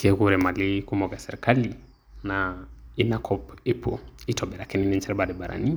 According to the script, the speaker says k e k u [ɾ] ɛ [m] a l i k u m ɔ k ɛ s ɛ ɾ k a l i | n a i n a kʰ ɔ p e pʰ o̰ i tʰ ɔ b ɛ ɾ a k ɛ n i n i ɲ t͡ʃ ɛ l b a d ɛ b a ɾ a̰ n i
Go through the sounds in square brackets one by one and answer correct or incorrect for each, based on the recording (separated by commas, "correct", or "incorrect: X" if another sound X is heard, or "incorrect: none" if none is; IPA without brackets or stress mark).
correct, correct